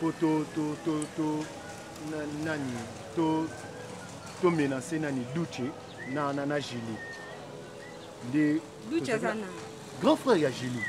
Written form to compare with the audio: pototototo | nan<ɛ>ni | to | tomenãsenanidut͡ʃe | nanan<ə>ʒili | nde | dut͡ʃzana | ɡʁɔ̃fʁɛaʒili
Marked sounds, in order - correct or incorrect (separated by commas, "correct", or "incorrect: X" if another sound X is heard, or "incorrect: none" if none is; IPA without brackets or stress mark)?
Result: incorrect: a, incorrect: a